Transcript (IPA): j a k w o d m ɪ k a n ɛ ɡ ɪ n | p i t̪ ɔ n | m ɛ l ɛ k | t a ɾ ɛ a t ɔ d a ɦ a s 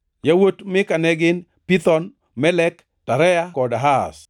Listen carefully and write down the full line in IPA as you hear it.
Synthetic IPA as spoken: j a w o t m ɪ k a n ɛ ɡ ɪ n | p i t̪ ɔ n | m ɛ l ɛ k | t a ɾ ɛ a k ɔ d a ɦ a s